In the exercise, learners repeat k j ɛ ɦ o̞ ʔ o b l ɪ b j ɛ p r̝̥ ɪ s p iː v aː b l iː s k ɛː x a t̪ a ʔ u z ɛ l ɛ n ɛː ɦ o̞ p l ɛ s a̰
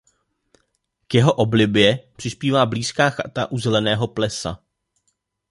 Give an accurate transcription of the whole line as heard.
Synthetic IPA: k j ɛ ɦ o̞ ʔ o b l ɪ b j ɛ p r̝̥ ɪ s p iː v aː b l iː s k aː x a t̪ a ʔ u z ɛ l ɛ n ɛː ɦ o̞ p l ɛ s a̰